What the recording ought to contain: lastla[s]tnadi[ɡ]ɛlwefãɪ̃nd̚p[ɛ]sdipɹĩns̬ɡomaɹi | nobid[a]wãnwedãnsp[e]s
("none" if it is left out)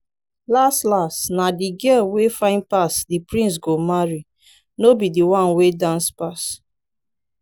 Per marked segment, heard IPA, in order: s, ɡ, a, i, a

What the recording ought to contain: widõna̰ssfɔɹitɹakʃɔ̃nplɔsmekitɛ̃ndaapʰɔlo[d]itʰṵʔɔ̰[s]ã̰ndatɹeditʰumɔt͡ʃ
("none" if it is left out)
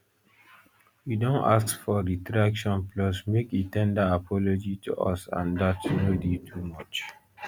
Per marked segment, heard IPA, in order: d͡ʒ, s

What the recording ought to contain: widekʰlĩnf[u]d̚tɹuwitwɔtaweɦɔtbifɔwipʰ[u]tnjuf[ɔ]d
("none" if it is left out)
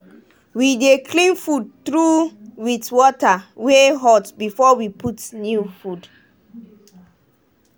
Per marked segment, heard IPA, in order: u, u, u

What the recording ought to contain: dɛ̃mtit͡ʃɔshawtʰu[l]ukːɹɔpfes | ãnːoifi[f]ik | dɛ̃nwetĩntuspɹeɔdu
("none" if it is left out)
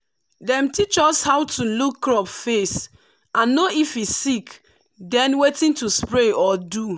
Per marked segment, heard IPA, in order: l, s

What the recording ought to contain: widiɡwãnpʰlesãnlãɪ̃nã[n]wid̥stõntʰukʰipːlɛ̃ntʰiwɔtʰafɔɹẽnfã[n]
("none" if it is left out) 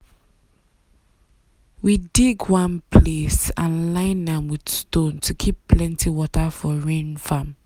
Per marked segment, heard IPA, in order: m, m

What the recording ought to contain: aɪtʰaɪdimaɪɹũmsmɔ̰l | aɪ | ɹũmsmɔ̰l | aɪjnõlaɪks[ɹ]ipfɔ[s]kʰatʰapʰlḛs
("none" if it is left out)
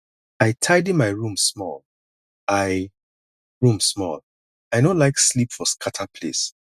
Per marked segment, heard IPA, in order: l, s

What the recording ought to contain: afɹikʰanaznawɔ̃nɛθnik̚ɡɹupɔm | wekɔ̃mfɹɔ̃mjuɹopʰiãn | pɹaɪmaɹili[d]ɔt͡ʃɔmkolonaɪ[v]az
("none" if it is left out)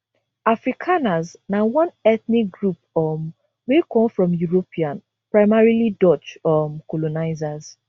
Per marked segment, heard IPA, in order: d, z

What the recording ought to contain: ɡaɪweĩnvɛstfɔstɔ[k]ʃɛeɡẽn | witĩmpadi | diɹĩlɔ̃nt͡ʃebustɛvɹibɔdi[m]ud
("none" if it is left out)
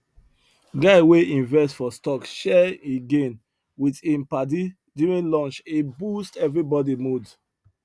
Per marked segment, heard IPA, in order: k, m

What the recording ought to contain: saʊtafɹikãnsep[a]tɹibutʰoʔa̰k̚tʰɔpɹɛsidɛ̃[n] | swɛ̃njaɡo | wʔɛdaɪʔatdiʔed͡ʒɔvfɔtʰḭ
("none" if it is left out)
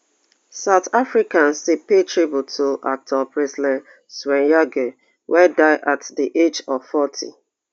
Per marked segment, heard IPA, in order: e, n

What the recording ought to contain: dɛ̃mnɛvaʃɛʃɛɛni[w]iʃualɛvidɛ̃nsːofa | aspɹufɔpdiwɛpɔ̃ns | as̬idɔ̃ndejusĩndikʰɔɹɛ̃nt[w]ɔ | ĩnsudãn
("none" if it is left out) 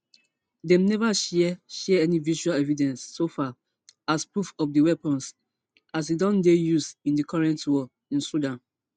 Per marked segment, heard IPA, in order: v, w

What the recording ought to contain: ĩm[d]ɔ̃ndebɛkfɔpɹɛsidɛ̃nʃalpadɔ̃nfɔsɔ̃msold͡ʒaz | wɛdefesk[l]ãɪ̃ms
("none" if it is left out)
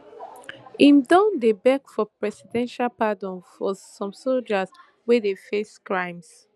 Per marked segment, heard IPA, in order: d, ɹ

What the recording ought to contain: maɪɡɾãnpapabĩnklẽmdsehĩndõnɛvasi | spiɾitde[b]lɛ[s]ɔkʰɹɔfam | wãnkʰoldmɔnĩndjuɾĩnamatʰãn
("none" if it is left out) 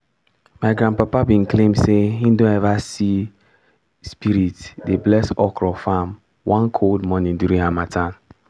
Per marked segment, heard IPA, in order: b, s

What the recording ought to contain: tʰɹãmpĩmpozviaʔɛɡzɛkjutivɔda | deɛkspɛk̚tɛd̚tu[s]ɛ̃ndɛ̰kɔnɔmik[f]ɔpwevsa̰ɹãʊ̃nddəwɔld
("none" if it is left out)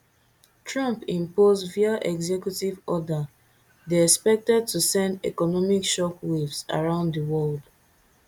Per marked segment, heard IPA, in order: s, ʃ

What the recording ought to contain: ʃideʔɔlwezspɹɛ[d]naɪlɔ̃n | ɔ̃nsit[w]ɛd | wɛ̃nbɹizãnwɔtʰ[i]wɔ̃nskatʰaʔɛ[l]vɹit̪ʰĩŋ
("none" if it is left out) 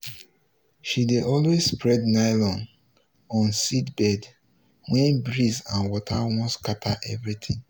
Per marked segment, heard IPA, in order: d, b, a, none

